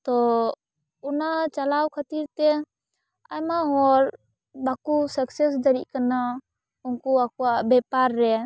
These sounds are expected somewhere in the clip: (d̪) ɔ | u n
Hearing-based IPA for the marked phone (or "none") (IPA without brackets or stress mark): t̪